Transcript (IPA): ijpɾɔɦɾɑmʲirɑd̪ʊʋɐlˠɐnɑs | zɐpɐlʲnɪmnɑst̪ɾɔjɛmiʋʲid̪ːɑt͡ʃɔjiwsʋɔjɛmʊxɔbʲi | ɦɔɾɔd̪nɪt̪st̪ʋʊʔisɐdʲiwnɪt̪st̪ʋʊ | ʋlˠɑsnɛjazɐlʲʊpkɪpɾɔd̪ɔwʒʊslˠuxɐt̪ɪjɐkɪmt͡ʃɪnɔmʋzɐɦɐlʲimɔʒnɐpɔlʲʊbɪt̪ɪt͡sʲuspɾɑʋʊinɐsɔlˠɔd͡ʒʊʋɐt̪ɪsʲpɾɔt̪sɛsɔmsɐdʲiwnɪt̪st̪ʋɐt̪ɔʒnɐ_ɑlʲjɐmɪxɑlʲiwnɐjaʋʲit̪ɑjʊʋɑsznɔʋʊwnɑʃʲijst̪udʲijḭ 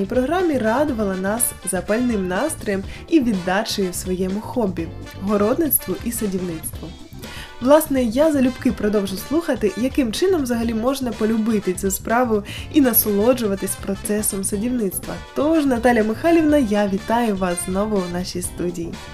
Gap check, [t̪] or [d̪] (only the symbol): t̪